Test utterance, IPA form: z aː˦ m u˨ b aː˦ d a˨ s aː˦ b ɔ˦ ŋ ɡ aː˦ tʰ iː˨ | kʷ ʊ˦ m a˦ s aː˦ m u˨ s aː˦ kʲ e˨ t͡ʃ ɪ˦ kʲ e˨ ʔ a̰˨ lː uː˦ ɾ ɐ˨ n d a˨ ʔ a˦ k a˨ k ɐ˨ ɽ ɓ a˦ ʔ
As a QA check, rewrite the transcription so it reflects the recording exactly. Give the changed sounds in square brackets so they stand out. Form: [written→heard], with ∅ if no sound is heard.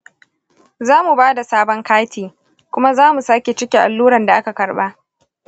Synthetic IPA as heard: z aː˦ m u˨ b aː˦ d a˨ s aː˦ b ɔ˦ ŋ [ɡ→k] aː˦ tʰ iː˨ | kʷ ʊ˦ m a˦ [s→z] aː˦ m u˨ s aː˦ kʲ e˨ t͡ʃ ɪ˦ kʲ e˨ ʔ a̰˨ lː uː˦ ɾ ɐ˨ n d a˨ ʔ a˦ k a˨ k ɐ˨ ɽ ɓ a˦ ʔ